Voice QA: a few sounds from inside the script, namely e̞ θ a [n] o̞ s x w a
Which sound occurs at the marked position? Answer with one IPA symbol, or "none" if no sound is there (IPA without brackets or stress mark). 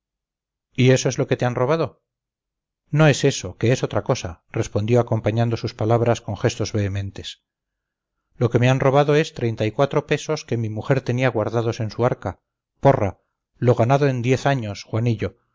ɲ